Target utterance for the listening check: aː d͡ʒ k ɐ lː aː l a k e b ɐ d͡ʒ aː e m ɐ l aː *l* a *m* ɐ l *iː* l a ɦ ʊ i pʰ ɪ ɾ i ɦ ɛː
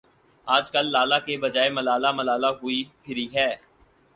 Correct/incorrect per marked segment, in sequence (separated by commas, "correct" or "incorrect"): correct, correct, incorrect